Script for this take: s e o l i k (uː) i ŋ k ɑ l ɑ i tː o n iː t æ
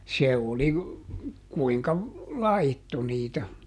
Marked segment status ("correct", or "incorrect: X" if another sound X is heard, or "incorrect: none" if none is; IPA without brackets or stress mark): incorrect: u